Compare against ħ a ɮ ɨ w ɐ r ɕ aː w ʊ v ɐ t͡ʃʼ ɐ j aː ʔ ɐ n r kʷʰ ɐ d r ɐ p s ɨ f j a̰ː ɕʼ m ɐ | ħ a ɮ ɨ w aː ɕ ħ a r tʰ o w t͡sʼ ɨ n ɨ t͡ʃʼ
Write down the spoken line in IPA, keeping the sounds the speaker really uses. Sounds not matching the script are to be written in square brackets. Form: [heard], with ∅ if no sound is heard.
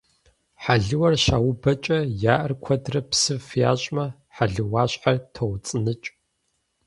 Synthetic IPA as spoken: ħ a ɮ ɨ w ɐ r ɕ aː w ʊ [b] ɐ t͡ʃʼ ɐ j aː ʔ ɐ [∅] r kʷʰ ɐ d r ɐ p s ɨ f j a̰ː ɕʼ m ɐ | ħ a ɮ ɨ w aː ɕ ħ a r tʰ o w t͡sʼ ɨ n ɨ t͡ʃʼ